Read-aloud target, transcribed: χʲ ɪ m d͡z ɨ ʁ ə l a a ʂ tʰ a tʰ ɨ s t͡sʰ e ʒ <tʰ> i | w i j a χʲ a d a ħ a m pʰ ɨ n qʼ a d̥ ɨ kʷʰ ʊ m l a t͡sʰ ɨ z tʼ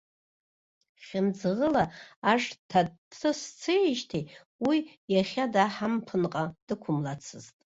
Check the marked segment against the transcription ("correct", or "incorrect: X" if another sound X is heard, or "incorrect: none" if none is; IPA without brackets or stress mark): correct